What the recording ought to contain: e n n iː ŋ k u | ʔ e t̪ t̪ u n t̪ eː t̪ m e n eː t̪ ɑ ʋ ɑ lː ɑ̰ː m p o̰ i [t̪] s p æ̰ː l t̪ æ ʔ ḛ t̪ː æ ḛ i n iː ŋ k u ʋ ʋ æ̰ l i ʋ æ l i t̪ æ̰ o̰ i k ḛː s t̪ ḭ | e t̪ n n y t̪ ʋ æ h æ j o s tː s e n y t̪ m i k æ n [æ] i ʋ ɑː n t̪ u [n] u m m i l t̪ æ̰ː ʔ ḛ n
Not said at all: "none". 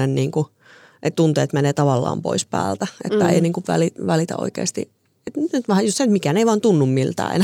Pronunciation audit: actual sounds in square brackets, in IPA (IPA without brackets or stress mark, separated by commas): none, e, nː